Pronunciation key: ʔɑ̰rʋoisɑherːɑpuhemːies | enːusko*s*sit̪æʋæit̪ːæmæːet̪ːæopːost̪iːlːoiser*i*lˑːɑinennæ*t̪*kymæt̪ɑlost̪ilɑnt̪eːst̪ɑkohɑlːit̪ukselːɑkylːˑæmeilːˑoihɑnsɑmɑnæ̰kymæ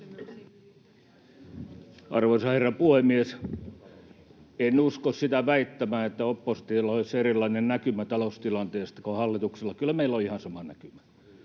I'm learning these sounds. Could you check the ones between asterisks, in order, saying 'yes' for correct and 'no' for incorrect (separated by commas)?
yes, yes, no